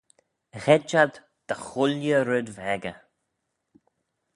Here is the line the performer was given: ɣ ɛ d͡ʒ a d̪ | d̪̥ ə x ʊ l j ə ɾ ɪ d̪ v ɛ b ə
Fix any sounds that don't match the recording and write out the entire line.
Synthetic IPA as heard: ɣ ɛ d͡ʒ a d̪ | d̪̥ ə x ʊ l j ə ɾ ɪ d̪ v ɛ ɡ ə